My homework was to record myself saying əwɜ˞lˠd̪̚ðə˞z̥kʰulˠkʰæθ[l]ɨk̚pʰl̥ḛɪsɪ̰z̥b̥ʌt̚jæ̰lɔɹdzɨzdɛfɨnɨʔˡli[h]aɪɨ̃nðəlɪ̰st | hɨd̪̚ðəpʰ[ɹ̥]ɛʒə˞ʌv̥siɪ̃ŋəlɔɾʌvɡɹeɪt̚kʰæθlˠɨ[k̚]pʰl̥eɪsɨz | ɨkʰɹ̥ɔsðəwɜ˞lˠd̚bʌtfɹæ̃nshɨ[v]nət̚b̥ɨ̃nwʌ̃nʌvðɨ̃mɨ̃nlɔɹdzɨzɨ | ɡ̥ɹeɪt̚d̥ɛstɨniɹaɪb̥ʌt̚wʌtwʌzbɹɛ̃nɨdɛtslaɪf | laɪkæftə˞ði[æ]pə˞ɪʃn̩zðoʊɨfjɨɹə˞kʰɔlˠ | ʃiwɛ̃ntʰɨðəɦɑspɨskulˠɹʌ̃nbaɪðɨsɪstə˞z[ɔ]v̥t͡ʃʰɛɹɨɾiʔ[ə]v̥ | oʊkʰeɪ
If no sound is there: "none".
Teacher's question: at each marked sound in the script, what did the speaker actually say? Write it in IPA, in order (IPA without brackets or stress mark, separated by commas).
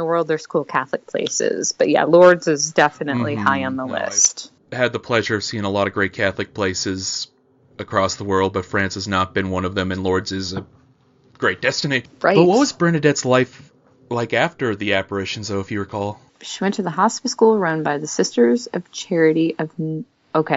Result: l, h, l̥, k̚, z, æ, ʌ, ʌ